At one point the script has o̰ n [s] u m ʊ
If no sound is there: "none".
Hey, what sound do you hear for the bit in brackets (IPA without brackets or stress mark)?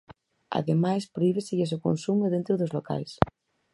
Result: s